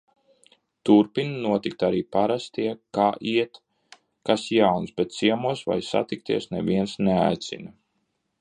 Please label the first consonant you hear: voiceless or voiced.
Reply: voiceless